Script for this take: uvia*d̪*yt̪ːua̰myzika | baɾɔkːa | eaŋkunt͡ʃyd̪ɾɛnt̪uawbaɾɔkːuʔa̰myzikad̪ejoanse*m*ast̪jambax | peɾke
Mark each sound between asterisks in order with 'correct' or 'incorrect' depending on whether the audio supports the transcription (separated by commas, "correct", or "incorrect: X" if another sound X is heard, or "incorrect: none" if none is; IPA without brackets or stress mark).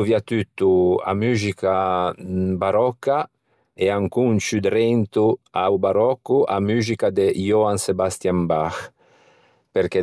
incorrect: t̪, incorrect: b